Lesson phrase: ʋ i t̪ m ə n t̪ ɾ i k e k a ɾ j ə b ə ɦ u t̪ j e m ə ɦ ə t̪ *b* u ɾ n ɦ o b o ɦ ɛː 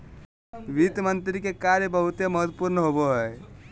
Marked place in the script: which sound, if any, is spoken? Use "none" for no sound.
p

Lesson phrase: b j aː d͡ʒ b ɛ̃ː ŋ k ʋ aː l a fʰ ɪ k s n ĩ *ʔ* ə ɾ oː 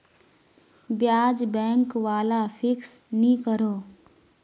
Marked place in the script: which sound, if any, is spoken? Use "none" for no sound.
k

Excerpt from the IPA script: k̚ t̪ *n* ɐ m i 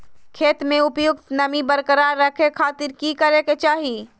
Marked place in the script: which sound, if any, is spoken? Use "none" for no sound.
n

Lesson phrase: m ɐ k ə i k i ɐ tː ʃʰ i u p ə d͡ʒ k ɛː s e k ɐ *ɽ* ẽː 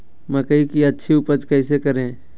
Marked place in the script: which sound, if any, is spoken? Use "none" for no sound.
ɾ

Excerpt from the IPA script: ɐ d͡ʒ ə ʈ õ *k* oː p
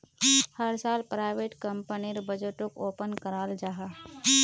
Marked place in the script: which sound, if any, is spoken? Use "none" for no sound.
k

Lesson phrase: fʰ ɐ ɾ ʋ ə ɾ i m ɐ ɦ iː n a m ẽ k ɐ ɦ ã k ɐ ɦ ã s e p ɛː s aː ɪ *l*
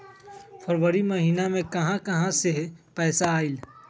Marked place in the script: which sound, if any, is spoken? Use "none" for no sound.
l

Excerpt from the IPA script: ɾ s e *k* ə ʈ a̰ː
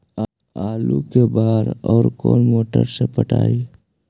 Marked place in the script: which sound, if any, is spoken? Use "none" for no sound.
p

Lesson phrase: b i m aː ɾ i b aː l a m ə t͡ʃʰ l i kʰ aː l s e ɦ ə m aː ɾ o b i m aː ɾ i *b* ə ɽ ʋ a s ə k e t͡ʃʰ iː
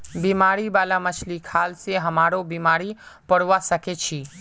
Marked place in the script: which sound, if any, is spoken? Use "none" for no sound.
p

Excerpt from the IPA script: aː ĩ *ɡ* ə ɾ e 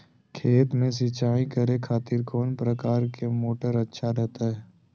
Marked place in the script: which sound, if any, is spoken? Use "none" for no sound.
k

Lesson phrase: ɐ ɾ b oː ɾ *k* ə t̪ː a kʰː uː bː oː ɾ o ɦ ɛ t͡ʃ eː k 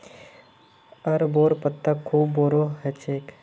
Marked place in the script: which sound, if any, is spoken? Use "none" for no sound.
p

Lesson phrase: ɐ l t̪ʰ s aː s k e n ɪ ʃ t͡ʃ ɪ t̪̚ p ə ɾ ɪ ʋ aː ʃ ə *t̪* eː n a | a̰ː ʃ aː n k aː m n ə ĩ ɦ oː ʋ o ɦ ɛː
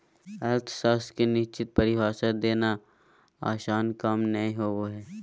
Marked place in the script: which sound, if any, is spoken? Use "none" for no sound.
d̪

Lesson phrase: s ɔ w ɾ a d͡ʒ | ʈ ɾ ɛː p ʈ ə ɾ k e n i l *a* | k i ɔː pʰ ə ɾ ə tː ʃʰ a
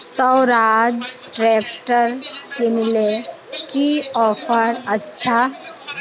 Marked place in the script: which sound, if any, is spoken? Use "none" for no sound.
e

